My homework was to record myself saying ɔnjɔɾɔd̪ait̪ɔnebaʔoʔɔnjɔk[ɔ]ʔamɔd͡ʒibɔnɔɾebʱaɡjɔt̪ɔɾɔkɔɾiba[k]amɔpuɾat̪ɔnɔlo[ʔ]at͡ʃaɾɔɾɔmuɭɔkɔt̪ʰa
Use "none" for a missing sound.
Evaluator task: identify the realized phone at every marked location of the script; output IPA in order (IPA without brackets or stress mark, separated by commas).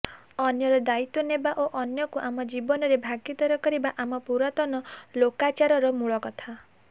u, ʔ, k